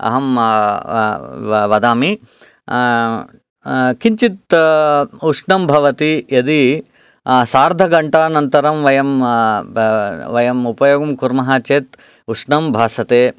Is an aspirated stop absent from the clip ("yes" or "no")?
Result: yes